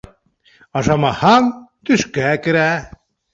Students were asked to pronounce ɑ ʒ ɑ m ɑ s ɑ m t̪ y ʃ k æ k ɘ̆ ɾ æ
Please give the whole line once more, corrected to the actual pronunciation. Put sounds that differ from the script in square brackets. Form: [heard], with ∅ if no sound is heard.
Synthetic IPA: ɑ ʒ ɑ m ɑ [h] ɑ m t̪ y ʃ k æ k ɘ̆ ɾ æ